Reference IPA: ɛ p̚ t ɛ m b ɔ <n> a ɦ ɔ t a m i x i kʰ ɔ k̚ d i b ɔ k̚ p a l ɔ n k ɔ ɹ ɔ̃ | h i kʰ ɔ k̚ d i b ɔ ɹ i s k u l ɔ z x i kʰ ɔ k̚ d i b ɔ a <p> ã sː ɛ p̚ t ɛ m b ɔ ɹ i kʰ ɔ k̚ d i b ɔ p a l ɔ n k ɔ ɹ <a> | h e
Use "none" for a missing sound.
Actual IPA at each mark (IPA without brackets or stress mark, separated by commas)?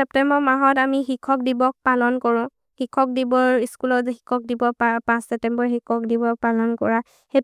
m, p, a